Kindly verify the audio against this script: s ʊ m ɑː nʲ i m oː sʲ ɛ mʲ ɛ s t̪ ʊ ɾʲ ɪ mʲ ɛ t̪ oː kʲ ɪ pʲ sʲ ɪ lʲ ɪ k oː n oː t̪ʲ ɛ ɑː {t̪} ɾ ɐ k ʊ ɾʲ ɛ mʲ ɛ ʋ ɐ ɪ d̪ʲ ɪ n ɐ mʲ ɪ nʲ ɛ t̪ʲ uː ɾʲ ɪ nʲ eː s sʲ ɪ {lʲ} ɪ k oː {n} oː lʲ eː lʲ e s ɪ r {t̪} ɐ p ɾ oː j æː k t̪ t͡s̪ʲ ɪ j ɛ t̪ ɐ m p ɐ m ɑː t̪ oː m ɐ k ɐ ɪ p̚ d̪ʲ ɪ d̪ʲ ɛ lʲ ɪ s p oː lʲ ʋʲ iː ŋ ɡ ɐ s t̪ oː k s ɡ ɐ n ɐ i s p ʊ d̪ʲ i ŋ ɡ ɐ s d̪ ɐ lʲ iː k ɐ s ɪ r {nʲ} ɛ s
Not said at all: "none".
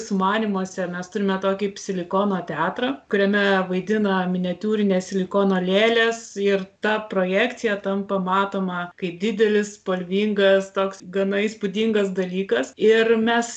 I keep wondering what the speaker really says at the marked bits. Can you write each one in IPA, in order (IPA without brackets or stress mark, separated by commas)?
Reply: t̪, lʲ, n, t̪, mʲ